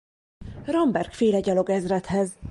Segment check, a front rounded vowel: absent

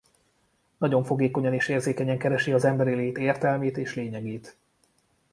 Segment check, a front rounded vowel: absent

